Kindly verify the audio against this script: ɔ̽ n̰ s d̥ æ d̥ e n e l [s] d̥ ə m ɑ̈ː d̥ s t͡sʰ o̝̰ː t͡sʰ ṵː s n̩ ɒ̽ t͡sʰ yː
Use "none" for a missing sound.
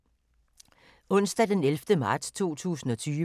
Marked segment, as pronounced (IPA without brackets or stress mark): f